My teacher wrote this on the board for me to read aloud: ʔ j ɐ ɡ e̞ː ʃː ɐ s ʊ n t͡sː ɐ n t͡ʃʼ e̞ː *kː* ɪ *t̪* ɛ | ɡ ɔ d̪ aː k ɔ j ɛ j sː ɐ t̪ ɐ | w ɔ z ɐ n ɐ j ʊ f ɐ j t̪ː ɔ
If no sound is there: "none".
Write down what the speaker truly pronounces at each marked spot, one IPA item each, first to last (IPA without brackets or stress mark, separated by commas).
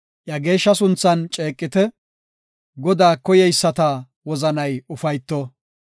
kʼː, t̪